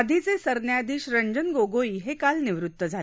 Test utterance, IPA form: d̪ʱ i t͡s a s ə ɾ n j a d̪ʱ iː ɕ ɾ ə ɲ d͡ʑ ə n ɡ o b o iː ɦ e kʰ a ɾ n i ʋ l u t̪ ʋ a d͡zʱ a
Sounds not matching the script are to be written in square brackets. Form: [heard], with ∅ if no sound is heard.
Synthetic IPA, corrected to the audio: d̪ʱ i t͡s [e] s ə ɾ n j a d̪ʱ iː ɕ ɾ ə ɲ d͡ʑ ə n ɡ o [ɡ] o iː ɦ e [k] a [l] n i ʋ [ɾ] u t̪ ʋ [ə] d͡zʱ a